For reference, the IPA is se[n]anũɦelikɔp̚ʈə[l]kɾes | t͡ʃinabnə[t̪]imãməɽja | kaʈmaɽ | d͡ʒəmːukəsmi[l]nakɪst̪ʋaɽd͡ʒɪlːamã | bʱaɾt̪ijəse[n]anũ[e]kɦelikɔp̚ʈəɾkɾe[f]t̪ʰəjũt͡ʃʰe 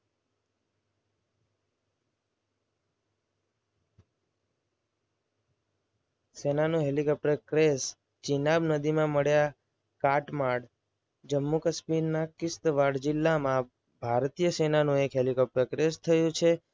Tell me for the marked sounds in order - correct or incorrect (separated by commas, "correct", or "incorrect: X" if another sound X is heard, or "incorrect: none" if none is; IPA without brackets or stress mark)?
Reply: correct, incorrect: ɾ, incorrect: d̪, incorrect: ɾ, correct, correct, incorrect: s